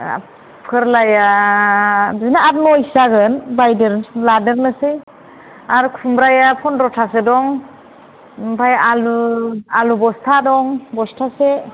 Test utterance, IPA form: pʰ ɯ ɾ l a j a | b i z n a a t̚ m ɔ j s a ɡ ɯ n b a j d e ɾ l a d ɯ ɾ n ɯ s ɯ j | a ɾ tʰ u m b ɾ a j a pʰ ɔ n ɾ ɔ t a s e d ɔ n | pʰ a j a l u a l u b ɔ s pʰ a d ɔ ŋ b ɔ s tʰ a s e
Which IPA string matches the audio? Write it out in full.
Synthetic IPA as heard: pʰ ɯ ɾ l a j a | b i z n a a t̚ m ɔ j s a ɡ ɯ n b a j d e ɾ l a d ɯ ɾ n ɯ s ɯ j | a ɾ kʰ u m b ɾ a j a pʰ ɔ n ɾ ɔ tʰ a s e d ɔ ŋ | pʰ a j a l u a l u b ɔ s tʰ a d ɔ ŋ b ɔ s tʰ a s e